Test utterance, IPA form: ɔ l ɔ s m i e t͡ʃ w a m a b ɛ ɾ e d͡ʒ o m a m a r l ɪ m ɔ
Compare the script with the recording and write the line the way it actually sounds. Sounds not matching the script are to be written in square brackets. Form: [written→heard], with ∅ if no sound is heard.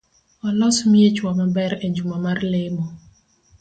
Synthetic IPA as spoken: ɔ l ɔ s m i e t͡ʃ w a m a b ɛ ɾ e d͡ʒ [o→u] m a m a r l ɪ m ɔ